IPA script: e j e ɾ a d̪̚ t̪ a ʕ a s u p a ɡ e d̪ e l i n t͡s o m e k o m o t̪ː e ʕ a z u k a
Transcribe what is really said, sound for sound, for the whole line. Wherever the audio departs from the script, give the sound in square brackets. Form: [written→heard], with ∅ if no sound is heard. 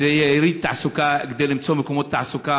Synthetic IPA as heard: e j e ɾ [a→i] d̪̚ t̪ a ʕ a s u [p→k] a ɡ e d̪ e l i [n→m] t͡s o m e k o m o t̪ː [e→a] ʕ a [z→s] u k a